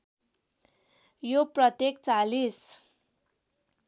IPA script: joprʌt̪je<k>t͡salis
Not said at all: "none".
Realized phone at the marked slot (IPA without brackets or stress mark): k